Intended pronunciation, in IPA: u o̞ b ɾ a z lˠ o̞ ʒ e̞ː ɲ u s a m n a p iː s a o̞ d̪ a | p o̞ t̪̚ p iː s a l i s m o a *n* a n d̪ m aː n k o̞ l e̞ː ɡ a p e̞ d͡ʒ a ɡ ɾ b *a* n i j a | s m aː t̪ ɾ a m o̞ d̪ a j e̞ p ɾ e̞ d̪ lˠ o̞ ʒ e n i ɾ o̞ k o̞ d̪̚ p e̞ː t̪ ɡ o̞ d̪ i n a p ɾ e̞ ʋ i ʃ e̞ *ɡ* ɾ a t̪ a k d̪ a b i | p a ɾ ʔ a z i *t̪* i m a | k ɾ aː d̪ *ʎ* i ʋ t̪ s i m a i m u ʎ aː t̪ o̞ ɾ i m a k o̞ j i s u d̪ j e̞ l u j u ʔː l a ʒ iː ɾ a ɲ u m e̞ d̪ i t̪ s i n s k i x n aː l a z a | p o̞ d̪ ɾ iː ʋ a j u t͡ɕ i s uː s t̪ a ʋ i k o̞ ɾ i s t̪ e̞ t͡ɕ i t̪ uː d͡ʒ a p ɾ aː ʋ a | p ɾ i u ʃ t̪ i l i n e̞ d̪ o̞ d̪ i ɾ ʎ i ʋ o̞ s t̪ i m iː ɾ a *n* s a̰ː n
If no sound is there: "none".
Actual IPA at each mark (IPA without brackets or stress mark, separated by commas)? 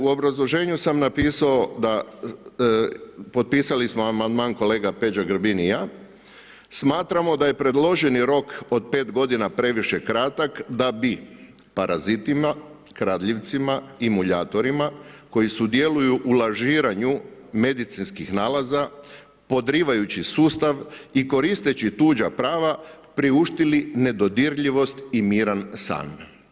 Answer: m, i, k, t̪, ʎ, n